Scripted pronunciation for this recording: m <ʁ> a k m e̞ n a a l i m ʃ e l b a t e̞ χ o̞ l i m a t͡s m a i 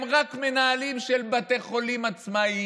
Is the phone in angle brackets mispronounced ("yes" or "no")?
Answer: no